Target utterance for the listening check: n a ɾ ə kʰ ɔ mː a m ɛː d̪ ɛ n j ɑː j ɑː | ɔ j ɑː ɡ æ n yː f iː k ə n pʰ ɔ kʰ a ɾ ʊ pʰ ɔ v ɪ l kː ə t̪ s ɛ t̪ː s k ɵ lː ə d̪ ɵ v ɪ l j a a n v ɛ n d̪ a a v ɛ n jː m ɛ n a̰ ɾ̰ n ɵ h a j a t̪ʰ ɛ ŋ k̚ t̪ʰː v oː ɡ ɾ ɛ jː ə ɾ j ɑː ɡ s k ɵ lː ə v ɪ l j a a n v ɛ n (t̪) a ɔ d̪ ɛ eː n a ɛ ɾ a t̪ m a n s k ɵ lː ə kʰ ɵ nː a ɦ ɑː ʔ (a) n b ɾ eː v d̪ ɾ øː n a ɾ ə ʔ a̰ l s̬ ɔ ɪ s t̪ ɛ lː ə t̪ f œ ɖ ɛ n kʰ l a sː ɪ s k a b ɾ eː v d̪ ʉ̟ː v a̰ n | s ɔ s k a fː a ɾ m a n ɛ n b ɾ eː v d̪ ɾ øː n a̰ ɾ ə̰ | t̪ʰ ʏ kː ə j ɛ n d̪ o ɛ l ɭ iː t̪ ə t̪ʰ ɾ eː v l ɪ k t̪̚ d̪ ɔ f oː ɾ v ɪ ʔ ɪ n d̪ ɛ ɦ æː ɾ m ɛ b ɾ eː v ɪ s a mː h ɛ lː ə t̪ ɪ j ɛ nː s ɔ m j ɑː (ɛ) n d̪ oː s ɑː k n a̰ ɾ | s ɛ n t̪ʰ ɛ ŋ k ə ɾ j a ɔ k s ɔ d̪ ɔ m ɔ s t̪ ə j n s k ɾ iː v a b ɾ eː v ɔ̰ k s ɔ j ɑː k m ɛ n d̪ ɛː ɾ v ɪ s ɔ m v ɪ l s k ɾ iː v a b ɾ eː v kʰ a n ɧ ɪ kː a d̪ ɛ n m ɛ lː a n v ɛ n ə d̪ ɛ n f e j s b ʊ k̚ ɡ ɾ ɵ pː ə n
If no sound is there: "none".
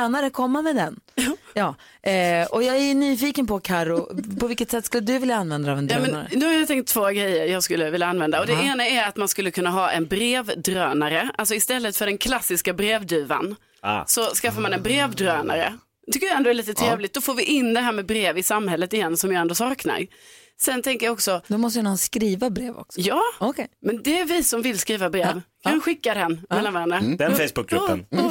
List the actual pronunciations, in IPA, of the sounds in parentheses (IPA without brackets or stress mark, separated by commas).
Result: d̪, ɛ, ɛ